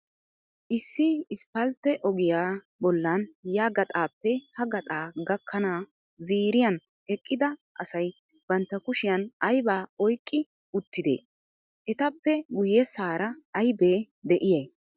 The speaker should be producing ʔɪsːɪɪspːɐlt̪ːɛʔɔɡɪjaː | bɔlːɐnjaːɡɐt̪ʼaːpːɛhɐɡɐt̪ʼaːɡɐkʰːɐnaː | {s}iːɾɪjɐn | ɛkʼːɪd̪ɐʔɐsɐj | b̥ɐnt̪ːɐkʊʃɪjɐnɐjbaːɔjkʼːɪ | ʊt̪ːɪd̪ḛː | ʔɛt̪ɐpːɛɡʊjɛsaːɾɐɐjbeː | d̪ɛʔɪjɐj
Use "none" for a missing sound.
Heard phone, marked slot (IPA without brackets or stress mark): z